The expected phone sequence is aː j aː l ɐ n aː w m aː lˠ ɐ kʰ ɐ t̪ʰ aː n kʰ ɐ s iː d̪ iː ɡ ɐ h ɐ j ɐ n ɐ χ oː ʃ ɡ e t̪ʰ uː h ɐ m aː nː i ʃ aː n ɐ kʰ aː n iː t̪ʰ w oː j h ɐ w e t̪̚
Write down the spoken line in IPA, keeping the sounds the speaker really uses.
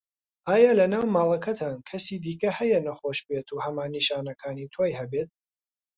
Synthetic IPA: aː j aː l ɐ n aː w m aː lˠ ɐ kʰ ɐ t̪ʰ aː n kʰ ɐ s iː d̪ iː k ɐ h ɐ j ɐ n ɐ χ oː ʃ b e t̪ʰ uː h ɐ m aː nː i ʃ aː n ɐ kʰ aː n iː t̪ʰ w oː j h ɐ b e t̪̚